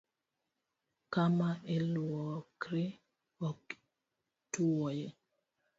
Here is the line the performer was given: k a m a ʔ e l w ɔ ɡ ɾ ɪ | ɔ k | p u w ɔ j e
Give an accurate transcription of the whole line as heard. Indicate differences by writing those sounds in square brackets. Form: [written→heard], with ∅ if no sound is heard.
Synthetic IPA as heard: k a m a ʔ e l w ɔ [ɡ→k] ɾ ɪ | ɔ k | [p→t] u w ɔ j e